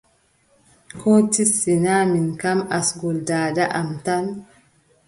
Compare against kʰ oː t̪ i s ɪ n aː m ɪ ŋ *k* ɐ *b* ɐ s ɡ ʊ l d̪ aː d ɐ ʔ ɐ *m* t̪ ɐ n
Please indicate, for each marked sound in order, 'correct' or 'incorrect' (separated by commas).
correct, incorrect, correct